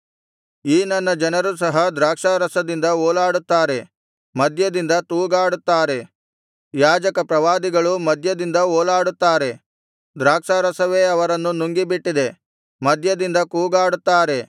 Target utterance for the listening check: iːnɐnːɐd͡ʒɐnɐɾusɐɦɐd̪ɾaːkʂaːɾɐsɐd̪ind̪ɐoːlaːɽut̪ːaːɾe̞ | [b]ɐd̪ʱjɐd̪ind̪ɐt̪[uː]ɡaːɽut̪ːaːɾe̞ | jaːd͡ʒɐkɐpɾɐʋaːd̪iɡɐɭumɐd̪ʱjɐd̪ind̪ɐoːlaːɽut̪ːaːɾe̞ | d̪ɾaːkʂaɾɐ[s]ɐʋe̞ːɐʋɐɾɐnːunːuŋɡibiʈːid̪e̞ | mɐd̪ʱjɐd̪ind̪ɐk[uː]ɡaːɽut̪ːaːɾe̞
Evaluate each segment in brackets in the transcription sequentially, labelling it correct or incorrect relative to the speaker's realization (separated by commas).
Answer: incorrect, correct, correct, correct